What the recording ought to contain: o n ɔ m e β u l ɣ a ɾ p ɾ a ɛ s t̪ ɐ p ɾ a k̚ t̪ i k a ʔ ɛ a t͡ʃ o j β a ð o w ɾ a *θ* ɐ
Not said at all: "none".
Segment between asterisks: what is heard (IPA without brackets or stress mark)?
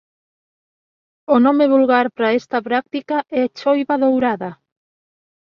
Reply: ð